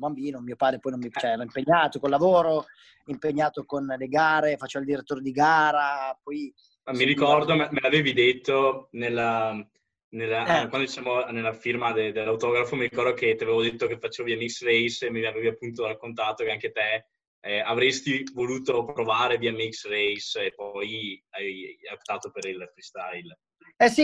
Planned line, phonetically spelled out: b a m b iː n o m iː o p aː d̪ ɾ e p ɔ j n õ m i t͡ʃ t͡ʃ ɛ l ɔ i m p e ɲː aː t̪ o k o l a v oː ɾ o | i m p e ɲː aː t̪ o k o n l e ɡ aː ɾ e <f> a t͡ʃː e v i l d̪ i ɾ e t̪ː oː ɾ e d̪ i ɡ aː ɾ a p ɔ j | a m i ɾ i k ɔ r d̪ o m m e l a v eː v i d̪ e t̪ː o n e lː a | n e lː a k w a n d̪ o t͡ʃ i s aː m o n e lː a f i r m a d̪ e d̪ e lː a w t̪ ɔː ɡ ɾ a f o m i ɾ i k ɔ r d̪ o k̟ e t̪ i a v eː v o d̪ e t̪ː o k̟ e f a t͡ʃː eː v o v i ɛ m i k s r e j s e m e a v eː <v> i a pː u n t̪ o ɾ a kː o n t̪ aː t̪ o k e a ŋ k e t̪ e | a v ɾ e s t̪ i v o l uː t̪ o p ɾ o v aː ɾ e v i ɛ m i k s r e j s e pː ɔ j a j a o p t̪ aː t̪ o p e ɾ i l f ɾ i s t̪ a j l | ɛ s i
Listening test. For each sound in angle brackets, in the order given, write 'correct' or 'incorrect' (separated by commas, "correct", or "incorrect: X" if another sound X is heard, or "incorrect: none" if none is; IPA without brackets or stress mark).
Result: correct, correct